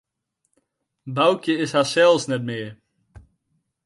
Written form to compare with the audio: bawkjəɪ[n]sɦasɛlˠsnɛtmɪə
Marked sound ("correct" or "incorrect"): incorrect